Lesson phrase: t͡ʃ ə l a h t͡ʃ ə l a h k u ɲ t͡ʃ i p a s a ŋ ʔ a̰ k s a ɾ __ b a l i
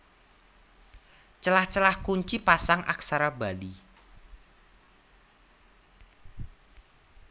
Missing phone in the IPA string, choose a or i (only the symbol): a